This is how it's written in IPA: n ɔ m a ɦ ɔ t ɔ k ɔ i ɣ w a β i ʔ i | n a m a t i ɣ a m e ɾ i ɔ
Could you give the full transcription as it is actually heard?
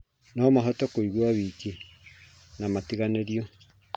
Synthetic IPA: n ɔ m a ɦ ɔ t ɔ k o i ɣ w a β i k i | n a m a t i ɣ a n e ɾ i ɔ